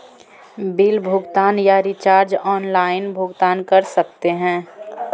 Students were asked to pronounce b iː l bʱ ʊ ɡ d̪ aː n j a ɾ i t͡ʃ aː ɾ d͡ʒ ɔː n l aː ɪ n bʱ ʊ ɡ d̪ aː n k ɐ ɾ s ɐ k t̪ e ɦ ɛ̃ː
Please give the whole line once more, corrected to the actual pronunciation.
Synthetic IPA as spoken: b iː l bʱ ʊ ɡ t̪ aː n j a ɾ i t͡ʃ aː ɾ d͡ʒ ɔː n l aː ɪ n bʱ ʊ ɡ t̪ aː n k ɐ ɾ s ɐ k t̪ e ɦ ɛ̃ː